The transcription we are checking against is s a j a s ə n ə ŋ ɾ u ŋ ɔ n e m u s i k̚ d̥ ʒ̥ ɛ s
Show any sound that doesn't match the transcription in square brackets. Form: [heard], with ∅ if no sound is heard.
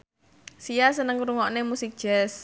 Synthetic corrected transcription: s [i] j a s ə n ə ŋ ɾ u ŋ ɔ n e m u s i k̚ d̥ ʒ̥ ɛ s